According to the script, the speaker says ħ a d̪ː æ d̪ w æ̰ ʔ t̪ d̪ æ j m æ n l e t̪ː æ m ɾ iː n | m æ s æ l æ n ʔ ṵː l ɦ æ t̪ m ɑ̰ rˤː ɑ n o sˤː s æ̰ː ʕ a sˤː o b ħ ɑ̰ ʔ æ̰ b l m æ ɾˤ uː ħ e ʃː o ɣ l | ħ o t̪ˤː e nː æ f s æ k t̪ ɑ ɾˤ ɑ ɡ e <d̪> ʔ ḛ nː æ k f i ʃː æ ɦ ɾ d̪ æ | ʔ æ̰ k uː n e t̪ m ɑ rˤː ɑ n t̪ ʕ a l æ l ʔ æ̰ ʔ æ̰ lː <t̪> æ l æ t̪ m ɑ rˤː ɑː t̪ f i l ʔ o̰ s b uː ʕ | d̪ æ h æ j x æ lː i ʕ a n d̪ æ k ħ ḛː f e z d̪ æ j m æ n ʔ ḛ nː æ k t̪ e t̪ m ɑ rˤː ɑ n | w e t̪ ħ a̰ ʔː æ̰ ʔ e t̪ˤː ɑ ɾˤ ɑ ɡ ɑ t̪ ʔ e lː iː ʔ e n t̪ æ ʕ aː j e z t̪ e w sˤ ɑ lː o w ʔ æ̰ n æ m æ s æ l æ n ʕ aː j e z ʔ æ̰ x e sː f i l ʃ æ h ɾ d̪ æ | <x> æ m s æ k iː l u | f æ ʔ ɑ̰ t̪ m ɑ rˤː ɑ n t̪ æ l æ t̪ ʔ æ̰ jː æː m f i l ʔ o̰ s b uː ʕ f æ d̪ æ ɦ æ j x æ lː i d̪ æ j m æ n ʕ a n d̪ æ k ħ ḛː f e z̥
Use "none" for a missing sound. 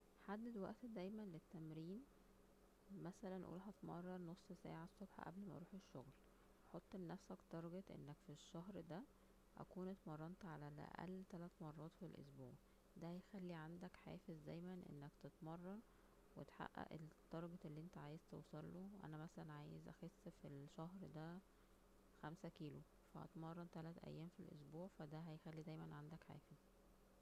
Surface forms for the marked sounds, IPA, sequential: t̪, t̪, x

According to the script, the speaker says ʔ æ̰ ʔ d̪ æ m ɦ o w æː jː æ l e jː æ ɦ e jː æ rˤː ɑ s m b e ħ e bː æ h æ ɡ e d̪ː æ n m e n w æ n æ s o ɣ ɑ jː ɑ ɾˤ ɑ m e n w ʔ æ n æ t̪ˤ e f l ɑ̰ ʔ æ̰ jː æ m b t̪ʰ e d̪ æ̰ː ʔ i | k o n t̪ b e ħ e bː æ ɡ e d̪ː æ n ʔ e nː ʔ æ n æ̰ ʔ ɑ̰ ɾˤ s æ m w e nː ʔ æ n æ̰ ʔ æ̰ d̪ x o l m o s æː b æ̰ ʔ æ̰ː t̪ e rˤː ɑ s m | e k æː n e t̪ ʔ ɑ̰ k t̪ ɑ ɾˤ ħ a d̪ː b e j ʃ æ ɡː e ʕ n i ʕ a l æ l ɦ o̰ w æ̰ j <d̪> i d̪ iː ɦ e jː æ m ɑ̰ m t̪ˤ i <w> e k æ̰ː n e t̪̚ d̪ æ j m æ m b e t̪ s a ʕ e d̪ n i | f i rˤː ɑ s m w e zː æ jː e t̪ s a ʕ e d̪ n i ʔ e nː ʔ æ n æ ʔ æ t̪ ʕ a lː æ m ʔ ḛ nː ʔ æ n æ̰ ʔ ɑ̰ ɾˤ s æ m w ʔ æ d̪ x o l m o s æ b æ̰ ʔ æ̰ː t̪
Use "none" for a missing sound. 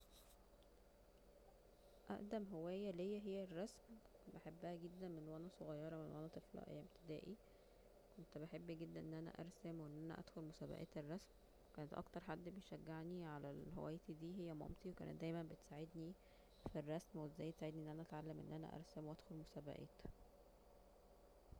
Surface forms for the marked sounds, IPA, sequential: t̪, w

